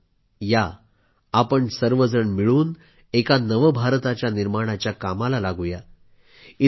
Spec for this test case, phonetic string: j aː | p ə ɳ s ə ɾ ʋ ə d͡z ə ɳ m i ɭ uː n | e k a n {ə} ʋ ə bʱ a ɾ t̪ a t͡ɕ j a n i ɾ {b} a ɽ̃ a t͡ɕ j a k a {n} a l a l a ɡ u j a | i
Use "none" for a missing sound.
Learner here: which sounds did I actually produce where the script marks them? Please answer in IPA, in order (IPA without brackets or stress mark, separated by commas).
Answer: ə, m, m